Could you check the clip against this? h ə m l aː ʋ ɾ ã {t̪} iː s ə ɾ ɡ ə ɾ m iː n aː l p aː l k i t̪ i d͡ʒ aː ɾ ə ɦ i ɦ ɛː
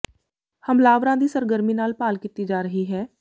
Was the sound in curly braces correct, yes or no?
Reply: no